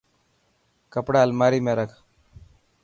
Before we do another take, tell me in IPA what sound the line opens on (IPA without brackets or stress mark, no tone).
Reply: k